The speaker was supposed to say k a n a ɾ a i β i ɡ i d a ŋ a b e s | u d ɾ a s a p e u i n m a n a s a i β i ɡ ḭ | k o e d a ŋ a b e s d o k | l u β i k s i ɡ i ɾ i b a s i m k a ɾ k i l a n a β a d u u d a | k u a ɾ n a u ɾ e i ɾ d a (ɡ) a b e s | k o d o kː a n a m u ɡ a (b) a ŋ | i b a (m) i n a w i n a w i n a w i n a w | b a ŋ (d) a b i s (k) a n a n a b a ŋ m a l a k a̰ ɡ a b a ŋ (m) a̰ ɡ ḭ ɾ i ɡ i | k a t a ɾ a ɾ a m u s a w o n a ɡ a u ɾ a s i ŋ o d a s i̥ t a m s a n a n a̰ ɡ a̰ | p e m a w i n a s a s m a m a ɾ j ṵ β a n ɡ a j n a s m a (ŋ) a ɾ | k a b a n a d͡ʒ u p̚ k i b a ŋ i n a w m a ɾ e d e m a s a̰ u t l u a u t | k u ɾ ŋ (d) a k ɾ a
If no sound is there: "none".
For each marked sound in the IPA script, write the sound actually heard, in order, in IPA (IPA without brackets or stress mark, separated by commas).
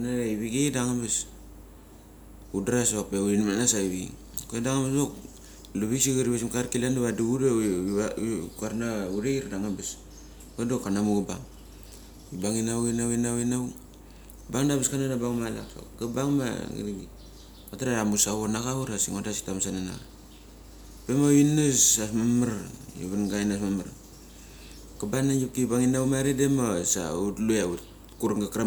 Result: ŋ, b, ŋ, d, k, m, m, ɡ